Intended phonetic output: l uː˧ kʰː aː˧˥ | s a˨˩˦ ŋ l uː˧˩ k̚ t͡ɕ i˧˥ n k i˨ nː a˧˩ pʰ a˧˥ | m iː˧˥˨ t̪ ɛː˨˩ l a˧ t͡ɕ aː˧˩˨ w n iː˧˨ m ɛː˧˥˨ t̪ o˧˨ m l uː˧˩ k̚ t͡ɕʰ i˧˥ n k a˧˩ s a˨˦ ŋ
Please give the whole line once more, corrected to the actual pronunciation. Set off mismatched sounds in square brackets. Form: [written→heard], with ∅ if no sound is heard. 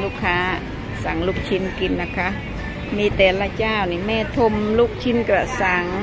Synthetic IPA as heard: l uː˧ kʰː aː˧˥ | s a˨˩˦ ŋ l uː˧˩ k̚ [t͡ɕ→t͡ɕʰ] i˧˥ n k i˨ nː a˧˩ [pʰ→kʰ] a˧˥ | m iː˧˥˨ t̪ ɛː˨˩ l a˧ t͡ɕ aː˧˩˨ w n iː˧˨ m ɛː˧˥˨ [t̪→t̪ʰ] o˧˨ m l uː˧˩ k̚ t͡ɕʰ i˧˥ n k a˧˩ s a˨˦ ŋ